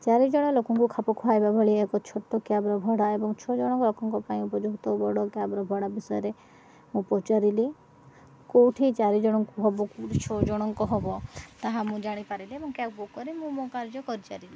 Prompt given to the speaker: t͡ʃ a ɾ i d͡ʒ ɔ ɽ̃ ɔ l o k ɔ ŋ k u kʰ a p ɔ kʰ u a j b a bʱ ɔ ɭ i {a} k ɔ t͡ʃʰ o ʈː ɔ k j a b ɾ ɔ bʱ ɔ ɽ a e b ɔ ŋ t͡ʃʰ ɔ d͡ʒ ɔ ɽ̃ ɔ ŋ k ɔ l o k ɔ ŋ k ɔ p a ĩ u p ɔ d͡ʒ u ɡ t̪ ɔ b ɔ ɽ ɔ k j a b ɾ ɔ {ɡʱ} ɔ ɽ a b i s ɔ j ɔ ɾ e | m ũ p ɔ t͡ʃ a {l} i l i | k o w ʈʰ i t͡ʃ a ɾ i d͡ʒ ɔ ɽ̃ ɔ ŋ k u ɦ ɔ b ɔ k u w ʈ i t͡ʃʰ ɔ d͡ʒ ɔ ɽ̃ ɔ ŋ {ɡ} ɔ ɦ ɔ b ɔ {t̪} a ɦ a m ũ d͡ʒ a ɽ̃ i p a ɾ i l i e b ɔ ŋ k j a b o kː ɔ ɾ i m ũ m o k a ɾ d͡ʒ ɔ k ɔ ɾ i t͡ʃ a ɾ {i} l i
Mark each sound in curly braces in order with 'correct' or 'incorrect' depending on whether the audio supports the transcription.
incorrect, incorrect, incorrect, incorrect, correct, correct

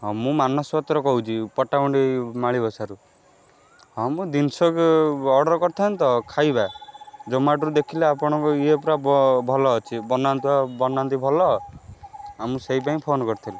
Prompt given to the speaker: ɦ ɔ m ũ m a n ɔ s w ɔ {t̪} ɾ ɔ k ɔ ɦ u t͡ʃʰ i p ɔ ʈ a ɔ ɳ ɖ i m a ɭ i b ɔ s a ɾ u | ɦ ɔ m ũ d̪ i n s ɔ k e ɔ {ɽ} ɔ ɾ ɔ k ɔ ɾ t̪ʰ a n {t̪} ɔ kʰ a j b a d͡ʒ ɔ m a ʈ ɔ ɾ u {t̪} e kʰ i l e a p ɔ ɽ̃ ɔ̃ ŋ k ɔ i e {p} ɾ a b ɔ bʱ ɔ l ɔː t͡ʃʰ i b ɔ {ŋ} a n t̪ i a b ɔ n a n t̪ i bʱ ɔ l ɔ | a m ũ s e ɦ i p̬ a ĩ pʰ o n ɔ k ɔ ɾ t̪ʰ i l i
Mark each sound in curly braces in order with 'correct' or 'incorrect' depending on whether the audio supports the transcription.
correct, correct, correct, incorrect, correct, incorrect

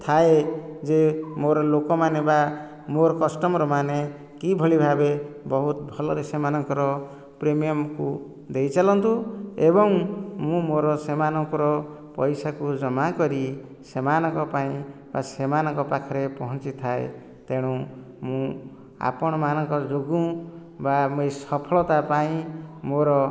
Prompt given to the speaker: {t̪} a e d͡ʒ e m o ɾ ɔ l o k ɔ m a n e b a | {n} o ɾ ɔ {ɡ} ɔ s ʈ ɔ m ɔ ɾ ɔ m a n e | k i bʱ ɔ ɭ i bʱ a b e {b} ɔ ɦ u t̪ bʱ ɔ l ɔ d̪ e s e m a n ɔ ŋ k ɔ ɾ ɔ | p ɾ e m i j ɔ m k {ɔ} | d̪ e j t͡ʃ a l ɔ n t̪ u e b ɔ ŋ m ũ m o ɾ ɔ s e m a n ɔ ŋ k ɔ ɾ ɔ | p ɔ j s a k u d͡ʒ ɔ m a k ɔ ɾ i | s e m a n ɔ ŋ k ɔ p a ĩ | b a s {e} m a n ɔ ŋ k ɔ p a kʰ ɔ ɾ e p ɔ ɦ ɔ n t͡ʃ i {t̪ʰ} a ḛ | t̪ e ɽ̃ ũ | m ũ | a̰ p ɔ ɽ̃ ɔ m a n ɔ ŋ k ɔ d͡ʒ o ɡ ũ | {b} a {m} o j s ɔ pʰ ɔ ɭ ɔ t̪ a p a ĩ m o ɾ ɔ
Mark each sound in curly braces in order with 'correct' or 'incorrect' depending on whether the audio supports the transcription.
incorrect, incorrect, incorrect, correct, incorrect, correct, correct, correct, correct

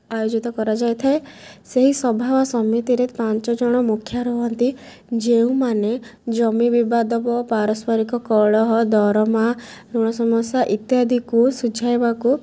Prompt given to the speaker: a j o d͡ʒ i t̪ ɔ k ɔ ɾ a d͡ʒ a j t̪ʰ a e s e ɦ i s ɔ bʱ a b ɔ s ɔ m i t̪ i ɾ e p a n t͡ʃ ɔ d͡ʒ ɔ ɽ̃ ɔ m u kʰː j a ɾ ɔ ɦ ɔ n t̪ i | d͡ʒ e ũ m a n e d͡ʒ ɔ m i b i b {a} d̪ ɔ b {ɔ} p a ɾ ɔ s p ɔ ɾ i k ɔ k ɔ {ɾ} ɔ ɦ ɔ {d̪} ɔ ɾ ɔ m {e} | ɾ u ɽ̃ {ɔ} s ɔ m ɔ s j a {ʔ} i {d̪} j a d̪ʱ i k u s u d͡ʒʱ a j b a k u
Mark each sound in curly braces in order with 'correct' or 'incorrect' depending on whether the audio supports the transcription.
correct, correct, incorrect, correct, incorrect, correct, correct, incorrect

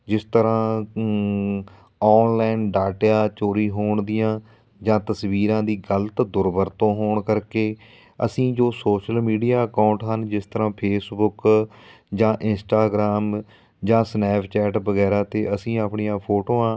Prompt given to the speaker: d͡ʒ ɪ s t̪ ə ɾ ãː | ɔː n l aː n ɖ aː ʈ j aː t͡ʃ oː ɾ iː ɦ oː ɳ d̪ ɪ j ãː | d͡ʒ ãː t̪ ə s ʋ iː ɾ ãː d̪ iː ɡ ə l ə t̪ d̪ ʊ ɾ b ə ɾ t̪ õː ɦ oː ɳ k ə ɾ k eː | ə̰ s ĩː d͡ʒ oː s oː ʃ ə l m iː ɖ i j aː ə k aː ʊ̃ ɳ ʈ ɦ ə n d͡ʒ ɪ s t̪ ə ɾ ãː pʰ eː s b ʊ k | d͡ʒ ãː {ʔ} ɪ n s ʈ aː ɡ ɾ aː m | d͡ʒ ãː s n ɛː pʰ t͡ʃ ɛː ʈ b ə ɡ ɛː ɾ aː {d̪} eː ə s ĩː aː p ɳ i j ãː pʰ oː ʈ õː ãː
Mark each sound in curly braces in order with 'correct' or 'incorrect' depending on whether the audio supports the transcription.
correct, incorrect

